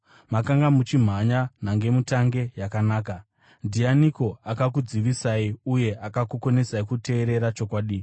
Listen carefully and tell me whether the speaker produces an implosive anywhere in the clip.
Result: yes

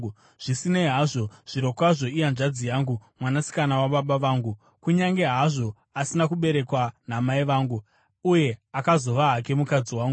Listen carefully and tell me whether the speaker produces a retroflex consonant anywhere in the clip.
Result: yes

